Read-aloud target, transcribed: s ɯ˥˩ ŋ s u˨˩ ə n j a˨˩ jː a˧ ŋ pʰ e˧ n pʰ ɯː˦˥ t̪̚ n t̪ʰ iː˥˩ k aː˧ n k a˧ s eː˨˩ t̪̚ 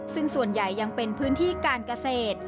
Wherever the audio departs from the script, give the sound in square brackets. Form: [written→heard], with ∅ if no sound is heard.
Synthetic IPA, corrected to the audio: s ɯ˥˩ ŋ s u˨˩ ə n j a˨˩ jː a˧ ŋ [pʰ→p] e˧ n pʰ ɯː˦˥ [t̪̚→∅] n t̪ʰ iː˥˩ k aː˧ n k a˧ s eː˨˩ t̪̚